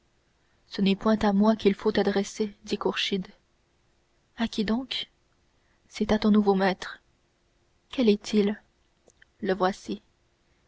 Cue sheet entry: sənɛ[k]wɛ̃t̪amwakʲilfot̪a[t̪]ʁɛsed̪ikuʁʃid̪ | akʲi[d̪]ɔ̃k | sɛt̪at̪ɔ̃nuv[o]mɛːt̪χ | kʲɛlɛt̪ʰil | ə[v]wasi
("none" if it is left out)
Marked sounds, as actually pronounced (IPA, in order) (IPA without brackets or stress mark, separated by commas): p, d̪, d̪, o, v